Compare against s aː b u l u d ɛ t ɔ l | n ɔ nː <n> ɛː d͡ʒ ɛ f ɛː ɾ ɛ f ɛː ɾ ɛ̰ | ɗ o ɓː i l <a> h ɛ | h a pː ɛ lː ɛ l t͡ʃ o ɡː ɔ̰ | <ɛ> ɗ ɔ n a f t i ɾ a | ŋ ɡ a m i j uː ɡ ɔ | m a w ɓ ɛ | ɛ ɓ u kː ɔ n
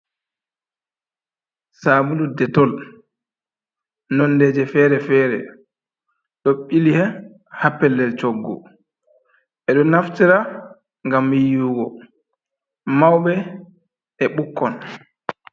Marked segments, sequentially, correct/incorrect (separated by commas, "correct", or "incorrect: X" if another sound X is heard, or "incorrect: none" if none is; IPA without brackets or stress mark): incorrect: d, incorrect: i, correct